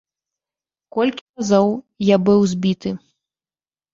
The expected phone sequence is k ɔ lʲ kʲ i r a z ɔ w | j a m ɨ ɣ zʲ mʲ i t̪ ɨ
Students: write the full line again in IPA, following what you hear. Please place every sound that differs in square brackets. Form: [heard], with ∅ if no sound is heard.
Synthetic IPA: k ɔ lʲ kʲ i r a z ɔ w | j a [b] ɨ [w] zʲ [bʲ] i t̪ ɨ